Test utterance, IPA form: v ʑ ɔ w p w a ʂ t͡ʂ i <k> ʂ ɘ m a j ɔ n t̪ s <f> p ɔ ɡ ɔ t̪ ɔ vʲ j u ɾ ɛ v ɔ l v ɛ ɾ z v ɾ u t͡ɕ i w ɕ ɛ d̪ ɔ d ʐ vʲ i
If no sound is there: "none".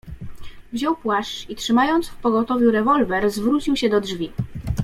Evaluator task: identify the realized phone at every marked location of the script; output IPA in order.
t, f

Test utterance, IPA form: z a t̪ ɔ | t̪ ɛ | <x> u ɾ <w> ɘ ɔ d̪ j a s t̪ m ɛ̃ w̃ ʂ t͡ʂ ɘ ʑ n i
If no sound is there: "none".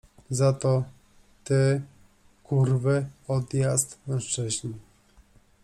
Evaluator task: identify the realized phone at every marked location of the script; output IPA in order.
k, v

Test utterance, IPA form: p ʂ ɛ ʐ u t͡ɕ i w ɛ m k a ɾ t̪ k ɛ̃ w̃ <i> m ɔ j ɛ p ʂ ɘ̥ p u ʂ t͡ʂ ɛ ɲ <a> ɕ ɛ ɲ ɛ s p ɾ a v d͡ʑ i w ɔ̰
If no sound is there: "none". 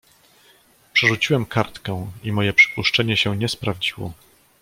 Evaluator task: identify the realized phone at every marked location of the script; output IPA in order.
i, ɛ

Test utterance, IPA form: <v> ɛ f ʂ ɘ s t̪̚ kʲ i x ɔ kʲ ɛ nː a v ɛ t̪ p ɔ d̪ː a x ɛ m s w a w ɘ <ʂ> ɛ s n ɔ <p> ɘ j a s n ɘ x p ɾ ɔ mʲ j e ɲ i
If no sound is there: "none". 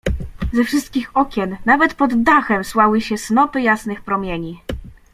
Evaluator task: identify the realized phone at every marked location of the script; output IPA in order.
z, ɕ, p

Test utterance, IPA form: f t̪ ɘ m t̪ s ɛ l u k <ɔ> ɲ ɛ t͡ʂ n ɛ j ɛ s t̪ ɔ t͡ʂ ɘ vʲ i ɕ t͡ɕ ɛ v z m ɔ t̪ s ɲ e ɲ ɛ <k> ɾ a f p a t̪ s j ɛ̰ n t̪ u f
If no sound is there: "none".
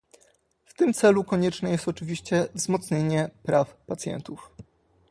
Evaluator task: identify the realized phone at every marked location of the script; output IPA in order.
ɔ, p

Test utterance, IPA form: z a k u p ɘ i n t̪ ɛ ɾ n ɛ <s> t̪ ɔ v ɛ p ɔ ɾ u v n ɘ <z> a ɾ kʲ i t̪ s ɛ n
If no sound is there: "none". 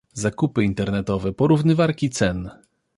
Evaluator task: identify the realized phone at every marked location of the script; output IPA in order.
none, v

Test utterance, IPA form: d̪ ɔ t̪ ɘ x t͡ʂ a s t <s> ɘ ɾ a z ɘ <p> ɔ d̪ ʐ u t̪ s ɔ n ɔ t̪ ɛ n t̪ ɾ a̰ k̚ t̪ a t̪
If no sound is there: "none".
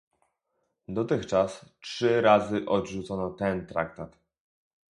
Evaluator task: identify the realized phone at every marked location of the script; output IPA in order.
ʂ, ʔ

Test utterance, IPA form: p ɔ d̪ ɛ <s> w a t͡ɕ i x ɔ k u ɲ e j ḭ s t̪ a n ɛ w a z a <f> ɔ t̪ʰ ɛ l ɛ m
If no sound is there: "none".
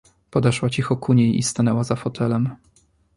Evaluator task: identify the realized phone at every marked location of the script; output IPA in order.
ʂ, f

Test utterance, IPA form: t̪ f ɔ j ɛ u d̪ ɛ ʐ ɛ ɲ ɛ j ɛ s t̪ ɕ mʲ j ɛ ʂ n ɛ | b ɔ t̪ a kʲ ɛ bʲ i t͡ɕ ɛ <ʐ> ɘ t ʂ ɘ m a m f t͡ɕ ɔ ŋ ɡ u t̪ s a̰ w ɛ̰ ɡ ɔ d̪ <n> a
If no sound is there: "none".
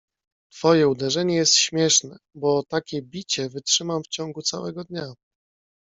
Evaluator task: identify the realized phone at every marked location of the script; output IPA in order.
v, ɲ

